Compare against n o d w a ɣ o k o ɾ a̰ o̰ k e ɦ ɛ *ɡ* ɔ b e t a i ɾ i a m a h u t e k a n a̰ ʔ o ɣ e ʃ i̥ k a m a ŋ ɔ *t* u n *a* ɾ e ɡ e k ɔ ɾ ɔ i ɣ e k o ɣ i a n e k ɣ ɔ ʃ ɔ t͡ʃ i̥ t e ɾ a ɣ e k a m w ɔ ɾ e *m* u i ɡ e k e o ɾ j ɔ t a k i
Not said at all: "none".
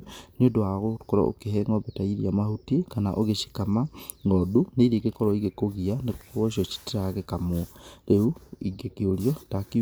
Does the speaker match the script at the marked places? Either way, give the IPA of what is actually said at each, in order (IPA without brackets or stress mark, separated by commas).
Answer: ŋ, d, e, none